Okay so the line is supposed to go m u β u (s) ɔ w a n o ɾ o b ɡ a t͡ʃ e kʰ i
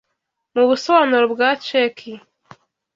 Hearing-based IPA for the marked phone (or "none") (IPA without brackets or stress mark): s